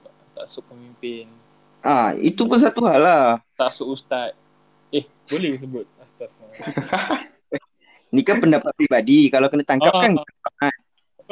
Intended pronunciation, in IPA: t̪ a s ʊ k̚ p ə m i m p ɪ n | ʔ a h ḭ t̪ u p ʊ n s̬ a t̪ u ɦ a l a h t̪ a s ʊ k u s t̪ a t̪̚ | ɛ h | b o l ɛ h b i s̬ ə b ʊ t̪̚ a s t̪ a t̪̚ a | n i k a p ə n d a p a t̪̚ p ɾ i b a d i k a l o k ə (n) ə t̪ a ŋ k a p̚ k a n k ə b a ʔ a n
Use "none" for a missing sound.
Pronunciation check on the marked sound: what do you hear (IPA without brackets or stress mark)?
n